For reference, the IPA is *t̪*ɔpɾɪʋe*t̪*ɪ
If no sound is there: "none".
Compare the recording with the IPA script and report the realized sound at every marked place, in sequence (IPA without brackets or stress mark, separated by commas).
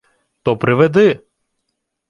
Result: t̪, d̪